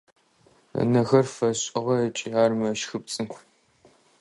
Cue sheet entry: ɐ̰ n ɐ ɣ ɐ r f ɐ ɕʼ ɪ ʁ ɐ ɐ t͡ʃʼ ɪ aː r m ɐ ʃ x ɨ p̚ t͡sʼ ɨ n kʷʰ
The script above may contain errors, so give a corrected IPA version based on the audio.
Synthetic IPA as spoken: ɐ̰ n ɐ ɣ ɐ r f ɐ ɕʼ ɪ ʁ ɐ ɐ t͡ʃʼ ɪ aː r m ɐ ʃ x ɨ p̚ t͡sʼ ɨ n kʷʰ